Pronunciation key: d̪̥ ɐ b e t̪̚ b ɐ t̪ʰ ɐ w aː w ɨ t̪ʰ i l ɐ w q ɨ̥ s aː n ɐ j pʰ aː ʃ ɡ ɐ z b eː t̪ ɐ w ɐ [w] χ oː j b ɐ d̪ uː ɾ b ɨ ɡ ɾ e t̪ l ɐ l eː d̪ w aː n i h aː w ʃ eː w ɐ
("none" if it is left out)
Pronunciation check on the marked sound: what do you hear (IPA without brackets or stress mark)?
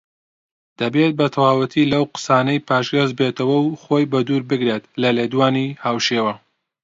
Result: w